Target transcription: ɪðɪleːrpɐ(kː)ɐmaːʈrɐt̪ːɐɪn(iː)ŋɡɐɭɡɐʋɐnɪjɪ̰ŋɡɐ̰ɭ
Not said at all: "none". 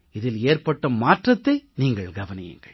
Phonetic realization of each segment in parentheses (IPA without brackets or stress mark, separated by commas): ʈː, iː